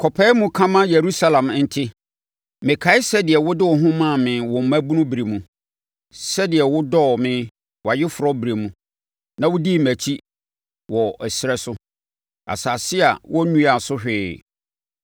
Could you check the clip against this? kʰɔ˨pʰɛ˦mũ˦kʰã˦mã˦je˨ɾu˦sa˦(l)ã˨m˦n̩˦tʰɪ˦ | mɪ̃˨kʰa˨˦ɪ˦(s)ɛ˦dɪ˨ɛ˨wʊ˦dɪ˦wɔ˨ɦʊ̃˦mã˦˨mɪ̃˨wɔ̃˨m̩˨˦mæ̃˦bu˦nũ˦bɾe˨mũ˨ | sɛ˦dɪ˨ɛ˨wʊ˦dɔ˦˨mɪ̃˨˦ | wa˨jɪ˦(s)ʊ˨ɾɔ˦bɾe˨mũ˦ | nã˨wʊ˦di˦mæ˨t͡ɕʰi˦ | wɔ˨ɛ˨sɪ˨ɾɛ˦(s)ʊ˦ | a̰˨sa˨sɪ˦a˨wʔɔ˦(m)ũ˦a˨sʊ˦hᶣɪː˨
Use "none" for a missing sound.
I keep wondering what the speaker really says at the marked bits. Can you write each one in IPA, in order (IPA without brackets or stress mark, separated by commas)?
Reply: l, s, f, s, n